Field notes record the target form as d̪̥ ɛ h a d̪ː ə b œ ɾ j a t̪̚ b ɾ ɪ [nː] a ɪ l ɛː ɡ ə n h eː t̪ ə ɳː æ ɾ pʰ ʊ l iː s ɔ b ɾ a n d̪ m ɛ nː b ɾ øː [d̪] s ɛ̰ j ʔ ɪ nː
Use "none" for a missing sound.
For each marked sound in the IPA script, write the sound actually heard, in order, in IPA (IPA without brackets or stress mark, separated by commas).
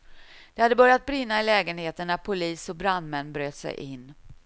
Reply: nː, t̪